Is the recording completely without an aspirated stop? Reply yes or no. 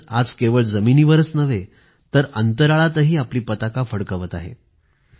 yes